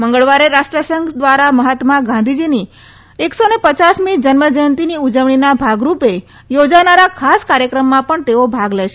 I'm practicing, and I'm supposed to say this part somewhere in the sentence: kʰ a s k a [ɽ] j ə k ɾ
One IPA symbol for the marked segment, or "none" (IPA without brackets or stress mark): ɾ